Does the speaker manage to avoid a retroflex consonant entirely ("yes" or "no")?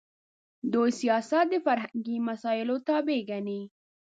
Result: yes